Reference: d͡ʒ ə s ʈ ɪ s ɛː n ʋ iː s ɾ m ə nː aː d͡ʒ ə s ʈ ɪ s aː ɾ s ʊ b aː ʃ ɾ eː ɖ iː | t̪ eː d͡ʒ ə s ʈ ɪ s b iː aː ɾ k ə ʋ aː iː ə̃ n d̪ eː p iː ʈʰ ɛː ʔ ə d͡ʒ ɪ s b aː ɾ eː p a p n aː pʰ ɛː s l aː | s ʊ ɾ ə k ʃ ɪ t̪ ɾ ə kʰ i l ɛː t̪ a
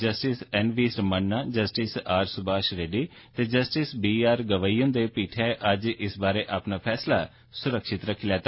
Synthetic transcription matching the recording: d͡ʒ ə s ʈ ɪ s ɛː n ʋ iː s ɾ m ə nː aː d͡ʒ ə s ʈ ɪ s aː ɾ s ʊ b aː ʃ ɾ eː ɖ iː | t̪ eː d͡ʒ ə s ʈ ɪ s b iː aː ɾ ɡ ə ʋ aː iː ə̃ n d̪ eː p iː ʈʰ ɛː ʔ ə d͡ʒ ɪ s b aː ɾ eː ʔ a p n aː pʰ ɛː s l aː | s ʊ ɾ ə k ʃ ɪ t̪ ɾ ə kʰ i l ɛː t̪ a